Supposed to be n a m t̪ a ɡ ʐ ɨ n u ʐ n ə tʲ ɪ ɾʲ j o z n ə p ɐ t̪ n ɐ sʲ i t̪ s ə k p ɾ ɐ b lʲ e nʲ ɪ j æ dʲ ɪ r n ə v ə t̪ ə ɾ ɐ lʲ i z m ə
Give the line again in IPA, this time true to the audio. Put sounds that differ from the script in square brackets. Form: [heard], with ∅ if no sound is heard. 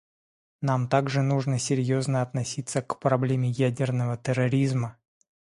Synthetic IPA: n a m t̪ a ɡ ʐ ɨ n u ʐ n ə [sʲ] ɪ ɾʲ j o z n ə [∅] ɐ t̪ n ɐ sʲ i t̪ s ə k p ɾ ɐ b lʲ e [mʲ] ɪ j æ dʲ ɪ r n ə v ə t̪ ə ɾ ɐ [ɾʲ] i z m ə